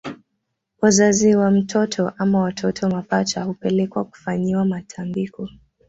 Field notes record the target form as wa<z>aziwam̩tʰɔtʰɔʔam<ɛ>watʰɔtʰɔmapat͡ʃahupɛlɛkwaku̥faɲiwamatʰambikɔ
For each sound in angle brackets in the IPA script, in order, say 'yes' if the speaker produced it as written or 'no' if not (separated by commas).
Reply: yes, no